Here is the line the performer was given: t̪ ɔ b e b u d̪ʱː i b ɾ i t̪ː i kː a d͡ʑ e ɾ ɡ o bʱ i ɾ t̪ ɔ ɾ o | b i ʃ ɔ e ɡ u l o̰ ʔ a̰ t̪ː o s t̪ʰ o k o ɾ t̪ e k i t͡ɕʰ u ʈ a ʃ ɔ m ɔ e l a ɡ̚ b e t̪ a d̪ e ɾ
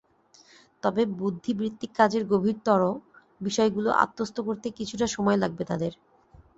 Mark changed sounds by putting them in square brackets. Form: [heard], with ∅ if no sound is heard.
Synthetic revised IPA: t̪ ɔ b e b u d̪ʱː i b ɾ i t̪ː i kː a d͡ʑ e ɾ ɡ o bʱ i ɾ t̪ ɔ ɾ o | b i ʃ ɔ e ɡ u l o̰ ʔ a̰ t̪ː o s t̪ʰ o k o ɾ t̪ e k i t͡ɕʰ u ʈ a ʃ ɔ m ɔ e l a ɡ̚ b e t̪ a d̪ e ɾ